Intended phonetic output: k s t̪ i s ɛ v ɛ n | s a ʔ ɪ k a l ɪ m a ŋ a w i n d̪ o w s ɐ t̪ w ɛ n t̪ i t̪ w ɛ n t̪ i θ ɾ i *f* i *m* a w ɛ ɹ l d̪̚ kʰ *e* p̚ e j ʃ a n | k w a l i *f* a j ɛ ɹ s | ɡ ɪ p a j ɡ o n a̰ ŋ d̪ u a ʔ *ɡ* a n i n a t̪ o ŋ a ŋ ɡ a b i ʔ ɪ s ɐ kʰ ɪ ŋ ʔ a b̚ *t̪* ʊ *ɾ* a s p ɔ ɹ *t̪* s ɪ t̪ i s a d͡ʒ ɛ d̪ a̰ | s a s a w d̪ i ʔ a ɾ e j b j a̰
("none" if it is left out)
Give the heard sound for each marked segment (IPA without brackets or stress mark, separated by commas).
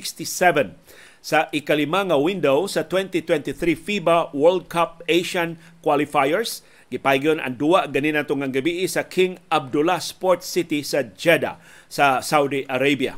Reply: f, b, a, f, ɡ, d̪, l, t̪